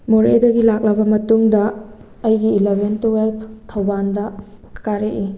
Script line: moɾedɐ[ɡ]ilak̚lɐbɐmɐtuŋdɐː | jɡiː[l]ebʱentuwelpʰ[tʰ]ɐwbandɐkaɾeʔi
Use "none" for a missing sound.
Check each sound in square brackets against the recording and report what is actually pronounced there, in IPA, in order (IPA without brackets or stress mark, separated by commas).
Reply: ɡ, l, tʰ